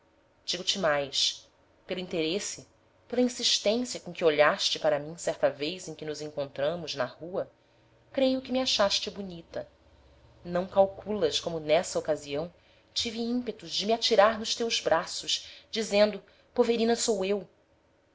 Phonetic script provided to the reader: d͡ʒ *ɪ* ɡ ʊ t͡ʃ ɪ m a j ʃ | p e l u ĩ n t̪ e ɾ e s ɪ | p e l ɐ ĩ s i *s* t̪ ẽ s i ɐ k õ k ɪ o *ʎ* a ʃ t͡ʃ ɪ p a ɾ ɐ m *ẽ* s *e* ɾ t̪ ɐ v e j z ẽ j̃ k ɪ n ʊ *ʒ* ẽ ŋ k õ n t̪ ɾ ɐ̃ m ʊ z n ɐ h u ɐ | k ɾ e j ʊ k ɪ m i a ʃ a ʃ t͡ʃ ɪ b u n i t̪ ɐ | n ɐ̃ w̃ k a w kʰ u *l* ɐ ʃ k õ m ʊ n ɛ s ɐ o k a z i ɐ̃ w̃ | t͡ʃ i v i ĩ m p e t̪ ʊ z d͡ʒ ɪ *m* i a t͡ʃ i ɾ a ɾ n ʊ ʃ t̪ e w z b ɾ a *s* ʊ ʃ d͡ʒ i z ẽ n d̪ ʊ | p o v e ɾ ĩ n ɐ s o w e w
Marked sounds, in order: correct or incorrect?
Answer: incorrect, incorrect, correct, incorrect, incorrect, incorrect, correct, correct, correct

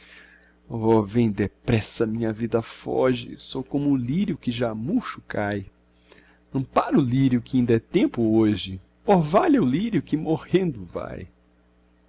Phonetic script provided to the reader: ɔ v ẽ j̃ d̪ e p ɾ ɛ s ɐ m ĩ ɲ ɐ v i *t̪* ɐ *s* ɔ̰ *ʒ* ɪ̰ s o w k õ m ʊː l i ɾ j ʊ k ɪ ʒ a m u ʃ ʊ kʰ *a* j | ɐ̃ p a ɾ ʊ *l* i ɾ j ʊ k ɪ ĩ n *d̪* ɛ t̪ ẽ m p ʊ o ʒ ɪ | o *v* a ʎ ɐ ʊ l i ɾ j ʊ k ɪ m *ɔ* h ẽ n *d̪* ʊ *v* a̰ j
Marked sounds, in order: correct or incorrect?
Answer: incorrect, incorrect, correct, correct, correct, correct, correct, incorrect, correct, correct

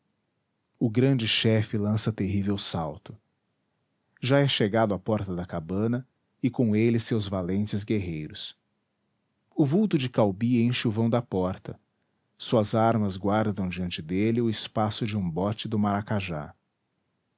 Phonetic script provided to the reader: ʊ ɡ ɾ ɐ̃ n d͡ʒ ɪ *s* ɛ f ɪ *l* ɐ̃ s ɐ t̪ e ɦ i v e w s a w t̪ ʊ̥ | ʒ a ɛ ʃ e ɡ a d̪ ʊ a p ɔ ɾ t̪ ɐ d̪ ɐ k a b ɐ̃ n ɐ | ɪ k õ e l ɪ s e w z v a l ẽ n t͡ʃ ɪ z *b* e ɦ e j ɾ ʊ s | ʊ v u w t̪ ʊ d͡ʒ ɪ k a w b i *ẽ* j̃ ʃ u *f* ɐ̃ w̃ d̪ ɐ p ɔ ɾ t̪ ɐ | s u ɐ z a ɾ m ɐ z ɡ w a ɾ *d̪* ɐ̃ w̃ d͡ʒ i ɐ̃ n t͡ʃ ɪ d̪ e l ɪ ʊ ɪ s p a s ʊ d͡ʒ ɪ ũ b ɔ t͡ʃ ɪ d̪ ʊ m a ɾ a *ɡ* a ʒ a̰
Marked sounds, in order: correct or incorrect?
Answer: incorrect, correct, incorrect, correct, incorrect, correct, incorrect

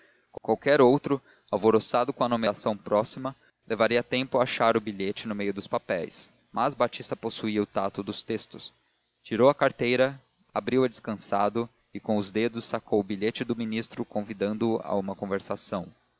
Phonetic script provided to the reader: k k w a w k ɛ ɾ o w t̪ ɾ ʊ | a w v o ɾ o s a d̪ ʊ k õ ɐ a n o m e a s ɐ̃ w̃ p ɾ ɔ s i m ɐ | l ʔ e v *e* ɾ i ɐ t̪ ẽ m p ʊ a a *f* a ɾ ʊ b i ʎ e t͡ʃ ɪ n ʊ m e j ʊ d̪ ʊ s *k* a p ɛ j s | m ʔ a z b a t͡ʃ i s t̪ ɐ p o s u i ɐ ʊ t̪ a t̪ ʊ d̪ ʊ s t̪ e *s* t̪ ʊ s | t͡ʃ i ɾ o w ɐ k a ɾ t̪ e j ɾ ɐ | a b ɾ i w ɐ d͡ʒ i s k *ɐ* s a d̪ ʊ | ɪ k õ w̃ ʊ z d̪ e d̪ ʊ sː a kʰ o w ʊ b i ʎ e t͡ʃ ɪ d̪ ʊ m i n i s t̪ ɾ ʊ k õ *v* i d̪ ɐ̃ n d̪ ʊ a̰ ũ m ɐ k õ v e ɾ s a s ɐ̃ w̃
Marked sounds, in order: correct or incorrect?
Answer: incorrect, incorrect, incorrect, correct, incorrect, correct

